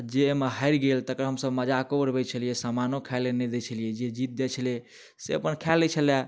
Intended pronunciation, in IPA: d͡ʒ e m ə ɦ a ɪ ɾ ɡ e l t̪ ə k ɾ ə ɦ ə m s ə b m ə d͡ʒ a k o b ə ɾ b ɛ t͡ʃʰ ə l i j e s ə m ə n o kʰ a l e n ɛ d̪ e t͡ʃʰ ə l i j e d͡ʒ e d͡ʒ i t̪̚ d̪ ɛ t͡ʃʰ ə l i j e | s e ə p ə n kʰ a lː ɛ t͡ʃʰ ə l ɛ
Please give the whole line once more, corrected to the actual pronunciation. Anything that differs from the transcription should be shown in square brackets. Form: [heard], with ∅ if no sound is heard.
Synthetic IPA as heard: d͡ʒ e m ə ɦ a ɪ ɾ ɡ e l t̪ ə k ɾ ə ɦ ə m s ə b m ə d͡ʒ a k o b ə ɾ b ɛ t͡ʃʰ ə l i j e s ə m [a] n o kʰ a l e n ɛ d̪ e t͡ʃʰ ə l i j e d͡ʒ e d͡ʒ i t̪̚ d̪ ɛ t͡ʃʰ ə l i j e | s e ə p ə n kʰ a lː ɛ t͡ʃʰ ə l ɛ